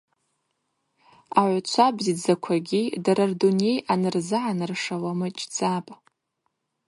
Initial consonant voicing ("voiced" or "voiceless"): voiced